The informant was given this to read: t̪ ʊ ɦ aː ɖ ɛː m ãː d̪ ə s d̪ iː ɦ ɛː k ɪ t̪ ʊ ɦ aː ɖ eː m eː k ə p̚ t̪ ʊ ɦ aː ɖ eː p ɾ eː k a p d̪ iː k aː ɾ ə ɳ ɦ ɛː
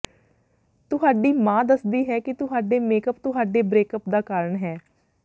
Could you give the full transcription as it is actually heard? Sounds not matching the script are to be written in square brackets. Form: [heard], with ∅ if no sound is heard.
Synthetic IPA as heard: t̪ ʊ ɦ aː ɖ [iː] m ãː d̪ ə s d̪ iː ɦ ɛː k ɪ t̪ ʊ ɦ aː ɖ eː m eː k ə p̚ t̪ ʊ ɦ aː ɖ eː [b] ɾ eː k [ə] p d̪ [aː] k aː ɾ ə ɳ ɦ ɛː